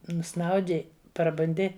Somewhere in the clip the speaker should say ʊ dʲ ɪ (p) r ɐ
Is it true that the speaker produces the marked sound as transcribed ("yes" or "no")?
yes